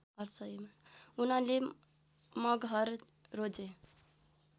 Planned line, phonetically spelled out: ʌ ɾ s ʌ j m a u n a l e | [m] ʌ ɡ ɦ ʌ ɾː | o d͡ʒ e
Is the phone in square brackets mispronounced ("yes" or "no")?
no